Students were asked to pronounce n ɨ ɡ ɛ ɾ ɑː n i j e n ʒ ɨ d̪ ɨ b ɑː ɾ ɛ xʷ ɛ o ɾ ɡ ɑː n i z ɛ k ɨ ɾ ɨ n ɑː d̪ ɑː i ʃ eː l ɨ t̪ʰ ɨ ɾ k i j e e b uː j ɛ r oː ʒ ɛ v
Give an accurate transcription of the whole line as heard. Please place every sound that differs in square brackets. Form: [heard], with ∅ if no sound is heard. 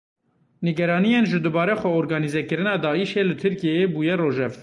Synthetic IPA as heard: n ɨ ɡ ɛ ɾ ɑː n i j e n ʒ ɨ d̪ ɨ b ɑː ɾ ɛ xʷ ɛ o ɾ ɡ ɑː n i z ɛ k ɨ ɾ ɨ n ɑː d̪ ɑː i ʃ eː l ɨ t̪ʰ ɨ ɾ k i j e e b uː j ɛ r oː ʒ ɛ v

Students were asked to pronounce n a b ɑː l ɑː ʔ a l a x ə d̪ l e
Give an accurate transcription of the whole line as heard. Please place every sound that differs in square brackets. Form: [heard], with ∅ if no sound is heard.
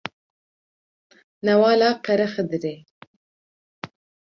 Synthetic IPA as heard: n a [w] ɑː l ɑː [q] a [ɾ] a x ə d̪ [ɾ] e

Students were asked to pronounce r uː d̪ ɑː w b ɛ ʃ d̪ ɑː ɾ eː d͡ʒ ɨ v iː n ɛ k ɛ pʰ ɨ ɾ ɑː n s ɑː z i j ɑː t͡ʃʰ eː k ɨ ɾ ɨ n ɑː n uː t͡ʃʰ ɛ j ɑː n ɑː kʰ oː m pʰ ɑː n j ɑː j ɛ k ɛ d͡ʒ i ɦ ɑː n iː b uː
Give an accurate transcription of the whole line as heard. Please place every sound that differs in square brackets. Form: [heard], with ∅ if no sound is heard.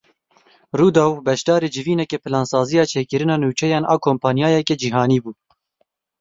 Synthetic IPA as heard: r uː d̪ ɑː w b ɛ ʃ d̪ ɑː ɾ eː d͡ʒ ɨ v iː n ɛ k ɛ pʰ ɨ [l] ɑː n s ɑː z i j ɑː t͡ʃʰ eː k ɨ ɾ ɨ n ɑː n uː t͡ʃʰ ɛ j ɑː n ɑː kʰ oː m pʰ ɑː n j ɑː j ɛ k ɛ d͡ʒ i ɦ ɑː n iː b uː

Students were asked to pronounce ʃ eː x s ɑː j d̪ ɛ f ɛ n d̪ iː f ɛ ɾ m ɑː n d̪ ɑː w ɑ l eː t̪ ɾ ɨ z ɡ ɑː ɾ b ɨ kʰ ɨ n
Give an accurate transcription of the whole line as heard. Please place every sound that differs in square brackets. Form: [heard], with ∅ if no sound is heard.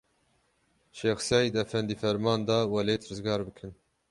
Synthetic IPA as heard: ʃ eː x s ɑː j d̪ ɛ f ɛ n d̪ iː f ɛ ɾ m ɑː n d̪ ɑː w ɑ l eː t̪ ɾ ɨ z ɡ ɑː ɾ b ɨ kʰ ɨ n

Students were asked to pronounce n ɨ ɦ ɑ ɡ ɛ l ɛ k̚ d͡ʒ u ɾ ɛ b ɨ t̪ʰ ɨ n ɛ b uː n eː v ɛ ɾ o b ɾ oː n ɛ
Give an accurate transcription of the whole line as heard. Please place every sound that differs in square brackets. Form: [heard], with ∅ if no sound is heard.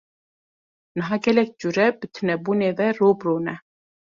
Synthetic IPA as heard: n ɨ ɦ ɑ ɡ ɛ l ɛ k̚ d͡ʒ u ɾ ɛ b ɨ t̪ʰ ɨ n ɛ b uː n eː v ɛ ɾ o b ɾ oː n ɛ

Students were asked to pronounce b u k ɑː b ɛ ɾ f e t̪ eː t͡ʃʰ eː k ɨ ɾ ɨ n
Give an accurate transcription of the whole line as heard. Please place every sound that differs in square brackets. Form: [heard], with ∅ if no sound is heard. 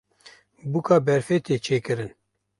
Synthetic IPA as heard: b u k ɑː b ɛ ɾ f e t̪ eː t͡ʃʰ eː k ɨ ɾ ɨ n

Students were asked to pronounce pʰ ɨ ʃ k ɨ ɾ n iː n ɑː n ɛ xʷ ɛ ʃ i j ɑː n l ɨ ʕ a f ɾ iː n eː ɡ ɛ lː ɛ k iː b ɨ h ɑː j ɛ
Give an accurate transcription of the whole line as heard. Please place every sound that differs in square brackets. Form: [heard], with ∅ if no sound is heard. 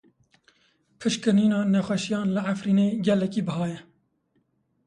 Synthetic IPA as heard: pʰ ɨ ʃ k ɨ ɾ n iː n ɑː n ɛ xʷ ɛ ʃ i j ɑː n l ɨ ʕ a f ɾ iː n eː ɡ ɛ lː ɛ k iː b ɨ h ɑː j ɛ

